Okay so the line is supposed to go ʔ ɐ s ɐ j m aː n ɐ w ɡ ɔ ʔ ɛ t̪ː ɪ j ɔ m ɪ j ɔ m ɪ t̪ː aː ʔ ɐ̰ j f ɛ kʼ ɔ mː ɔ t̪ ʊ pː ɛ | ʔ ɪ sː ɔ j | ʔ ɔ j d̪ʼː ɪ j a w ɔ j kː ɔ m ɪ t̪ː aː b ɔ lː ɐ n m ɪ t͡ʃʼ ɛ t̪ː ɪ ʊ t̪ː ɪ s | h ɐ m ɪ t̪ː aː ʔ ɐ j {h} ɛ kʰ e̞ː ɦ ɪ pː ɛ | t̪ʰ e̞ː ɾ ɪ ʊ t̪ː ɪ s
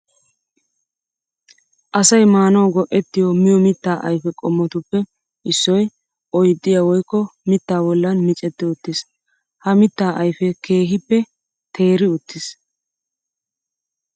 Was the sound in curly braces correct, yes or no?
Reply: no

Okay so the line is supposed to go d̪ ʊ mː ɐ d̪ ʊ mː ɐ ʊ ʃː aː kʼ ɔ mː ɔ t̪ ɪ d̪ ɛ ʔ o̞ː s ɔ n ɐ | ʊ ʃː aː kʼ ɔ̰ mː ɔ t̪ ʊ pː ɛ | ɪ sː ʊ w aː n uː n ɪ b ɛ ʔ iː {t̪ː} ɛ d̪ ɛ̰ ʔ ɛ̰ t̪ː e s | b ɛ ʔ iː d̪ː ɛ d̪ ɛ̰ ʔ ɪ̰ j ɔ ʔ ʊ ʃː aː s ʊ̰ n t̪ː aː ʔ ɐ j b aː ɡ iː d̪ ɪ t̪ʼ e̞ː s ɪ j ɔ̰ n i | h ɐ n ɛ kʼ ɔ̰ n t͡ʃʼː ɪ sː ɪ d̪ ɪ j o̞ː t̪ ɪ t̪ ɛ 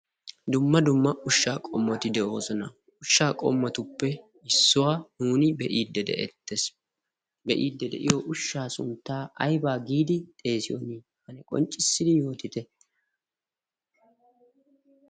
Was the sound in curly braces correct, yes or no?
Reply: no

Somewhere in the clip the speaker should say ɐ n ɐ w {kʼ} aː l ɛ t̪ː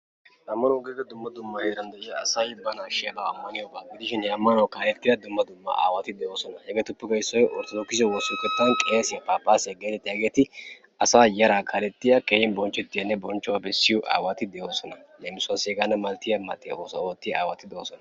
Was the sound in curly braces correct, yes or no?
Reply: no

